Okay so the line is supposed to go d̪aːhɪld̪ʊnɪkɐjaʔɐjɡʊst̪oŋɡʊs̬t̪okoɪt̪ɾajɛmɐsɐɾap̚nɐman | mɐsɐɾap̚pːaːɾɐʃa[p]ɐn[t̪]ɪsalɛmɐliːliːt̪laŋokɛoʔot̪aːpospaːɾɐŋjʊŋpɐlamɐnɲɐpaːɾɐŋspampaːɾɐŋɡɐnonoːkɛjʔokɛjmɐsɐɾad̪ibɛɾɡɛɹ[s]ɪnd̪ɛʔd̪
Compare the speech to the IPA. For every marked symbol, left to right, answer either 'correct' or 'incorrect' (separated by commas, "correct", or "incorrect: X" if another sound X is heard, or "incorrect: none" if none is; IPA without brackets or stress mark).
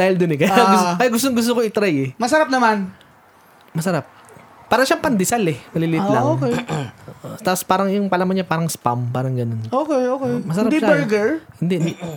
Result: correct, incorrect: d̪, incorrect: h